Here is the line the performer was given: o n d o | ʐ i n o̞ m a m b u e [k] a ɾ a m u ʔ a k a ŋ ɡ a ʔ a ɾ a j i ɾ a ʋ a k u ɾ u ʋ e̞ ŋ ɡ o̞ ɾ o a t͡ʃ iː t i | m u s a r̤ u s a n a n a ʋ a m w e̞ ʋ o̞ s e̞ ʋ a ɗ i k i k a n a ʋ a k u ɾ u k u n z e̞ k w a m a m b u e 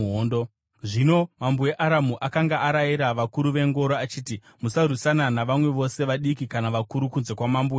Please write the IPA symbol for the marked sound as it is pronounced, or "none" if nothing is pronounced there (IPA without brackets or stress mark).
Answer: ʔ